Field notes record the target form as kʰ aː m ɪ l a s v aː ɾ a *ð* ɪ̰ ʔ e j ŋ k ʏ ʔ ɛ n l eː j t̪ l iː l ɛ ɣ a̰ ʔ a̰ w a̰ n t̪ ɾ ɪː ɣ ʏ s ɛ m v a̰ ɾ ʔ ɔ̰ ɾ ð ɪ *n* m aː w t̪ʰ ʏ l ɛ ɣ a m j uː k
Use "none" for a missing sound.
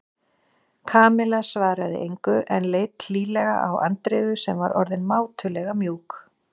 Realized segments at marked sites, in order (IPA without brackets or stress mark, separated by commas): ð, n